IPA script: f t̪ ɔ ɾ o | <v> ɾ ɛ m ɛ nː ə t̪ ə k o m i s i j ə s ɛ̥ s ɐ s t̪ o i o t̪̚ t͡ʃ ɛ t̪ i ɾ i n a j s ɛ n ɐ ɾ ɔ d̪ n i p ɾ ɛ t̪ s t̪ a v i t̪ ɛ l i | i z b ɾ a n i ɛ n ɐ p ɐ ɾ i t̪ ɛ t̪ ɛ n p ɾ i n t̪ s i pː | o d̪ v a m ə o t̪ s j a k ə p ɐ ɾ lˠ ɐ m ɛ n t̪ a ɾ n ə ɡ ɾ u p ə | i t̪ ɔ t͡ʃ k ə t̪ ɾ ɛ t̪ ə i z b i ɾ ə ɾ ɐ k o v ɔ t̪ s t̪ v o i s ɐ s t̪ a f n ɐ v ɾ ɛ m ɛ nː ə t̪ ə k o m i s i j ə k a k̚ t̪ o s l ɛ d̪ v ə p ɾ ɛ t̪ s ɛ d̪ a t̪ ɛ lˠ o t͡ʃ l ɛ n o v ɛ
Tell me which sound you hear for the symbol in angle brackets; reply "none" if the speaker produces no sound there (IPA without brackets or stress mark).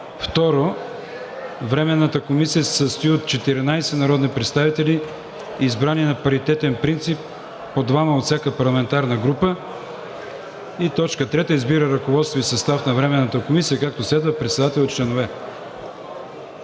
v